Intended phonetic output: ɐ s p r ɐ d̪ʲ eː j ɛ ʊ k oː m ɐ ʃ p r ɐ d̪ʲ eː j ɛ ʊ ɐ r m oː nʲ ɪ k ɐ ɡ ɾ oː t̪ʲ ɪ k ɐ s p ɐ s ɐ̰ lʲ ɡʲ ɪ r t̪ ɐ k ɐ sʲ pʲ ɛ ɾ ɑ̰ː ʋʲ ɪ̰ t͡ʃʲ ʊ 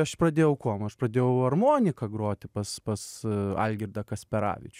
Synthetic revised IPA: ɐ ʃ p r ɐ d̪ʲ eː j ɛ ʊ k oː m ɐ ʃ p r ɐ d̪ʲ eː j ɛ ʊ ɐ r m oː nʲ ɪ k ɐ ɡ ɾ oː t̪ʲ ɪ p ɐ s p ɐ s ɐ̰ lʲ ɡʲ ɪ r d̪ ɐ k ɐ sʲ pʲ ɛ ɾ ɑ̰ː ʋʲ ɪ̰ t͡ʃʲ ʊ